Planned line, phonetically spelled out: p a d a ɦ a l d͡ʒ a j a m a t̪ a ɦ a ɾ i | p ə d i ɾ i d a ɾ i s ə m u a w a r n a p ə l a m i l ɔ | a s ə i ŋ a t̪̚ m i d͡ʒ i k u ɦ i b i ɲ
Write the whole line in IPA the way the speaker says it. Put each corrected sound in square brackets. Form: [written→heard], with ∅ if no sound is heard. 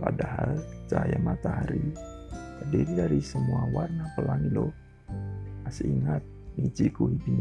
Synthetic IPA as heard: p a d a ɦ a l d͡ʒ a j a m a t̪ a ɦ a ɾ i | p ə d i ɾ i d a ɾ i s ə m u a w a r n a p ə l a [m→ŋ] i l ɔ | a s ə i ŋ a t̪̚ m i d͡ʒ i k u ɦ i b i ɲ